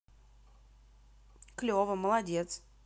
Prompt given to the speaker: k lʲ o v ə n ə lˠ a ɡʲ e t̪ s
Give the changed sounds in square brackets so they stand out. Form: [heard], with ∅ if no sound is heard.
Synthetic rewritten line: k lʲ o v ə [m] ə lˠ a [dʲ] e t̪ s